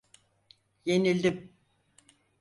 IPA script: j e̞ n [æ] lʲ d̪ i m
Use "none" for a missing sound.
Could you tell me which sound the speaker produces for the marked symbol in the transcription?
i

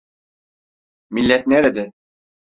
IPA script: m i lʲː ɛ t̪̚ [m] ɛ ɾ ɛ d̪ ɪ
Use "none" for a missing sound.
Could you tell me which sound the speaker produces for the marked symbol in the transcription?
n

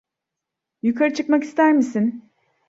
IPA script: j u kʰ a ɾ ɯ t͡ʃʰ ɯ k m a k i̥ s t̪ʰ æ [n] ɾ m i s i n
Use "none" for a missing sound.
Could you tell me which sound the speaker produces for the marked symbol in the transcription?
none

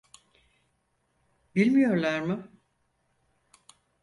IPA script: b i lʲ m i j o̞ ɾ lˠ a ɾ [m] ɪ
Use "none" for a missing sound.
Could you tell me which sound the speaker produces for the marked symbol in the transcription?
m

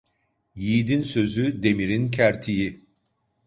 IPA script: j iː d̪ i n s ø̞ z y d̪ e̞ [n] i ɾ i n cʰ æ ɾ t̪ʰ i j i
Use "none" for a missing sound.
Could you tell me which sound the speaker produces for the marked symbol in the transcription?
m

